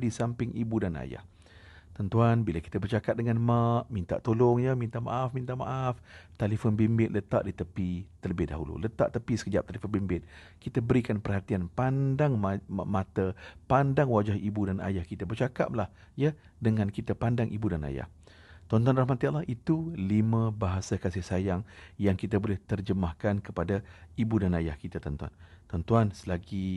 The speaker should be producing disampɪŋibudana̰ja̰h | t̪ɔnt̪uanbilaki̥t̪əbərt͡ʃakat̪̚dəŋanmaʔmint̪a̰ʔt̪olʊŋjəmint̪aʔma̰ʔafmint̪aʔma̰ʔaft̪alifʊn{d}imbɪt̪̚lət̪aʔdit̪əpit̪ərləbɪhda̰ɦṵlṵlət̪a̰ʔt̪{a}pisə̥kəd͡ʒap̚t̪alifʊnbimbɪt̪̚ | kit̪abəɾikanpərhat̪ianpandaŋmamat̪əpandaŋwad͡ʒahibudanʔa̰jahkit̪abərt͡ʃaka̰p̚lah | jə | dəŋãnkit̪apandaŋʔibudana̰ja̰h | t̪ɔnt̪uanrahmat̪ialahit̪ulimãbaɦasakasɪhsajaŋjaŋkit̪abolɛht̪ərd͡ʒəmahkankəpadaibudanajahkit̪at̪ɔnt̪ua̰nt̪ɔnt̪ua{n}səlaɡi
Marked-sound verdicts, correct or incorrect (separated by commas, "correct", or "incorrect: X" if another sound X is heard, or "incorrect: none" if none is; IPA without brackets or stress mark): incorrect: b, incorrect: ə, correct